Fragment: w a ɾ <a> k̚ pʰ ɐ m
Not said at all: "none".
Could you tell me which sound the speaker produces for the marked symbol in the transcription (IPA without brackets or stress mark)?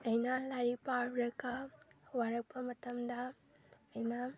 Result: ɐ